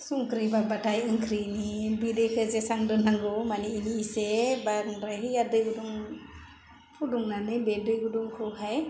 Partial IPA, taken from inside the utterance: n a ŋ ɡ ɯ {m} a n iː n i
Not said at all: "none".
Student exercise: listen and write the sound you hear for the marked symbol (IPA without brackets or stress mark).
m